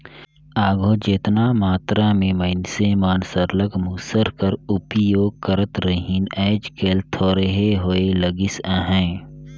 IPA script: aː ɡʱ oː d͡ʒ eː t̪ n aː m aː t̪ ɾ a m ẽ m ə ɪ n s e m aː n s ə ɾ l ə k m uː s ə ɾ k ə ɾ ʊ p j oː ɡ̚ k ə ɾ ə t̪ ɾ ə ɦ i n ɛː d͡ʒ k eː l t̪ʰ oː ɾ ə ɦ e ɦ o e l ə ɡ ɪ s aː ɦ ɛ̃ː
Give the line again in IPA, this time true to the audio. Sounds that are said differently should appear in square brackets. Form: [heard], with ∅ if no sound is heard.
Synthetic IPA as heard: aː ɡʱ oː d͡ʒ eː t̪ n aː m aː t̪ ɾ a m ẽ m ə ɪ n s e m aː n s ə ɾ l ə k m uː s ə ɾ k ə ɾ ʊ p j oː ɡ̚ k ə ɾ ə t̪ ɾ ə ɦ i n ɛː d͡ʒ k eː l t̪ʰ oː ɾ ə ɦ e ɦ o e l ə ɡ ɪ s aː ɦ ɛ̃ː